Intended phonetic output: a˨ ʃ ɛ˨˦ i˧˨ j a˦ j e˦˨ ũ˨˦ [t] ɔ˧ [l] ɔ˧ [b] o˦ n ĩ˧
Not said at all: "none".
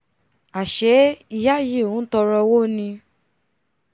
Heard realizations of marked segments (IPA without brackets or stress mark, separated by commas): t, ɾ, w